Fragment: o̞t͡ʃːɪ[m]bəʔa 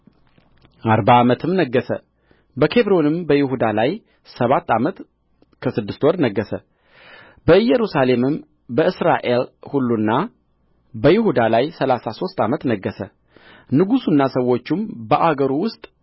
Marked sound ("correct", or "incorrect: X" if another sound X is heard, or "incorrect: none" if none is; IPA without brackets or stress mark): correct